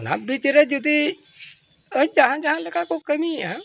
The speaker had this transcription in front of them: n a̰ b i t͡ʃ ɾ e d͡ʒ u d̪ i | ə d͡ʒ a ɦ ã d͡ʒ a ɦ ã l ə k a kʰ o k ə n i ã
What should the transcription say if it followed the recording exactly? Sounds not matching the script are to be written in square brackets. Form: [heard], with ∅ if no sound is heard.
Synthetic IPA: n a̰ b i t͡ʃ ɾ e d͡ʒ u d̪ i | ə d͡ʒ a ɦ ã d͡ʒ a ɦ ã l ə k a [k] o k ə [m] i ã